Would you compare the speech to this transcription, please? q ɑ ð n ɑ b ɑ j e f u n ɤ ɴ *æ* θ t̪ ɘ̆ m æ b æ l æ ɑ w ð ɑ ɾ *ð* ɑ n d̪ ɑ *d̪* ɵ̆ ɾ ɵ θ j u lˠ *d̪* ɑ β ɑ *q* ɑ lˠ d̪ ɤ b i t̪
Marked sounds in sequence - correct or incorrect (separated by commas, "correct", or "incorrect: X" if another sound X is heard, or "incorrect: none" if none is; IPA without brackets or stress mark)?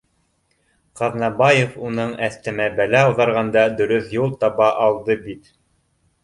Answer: correct, incorrect: ʁ, correct, incorrect: t̪, incorrect: ʔ